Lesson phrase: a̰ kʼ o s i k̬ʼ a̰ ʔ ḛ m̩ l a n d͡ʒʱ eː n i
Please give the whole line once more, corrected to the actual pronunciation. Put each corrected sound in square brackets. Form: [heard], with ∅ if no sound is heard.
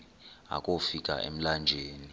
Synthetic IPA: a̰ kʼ o [f] i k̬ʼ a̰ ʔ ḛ m̩ l a n d͡ʒʱ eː n i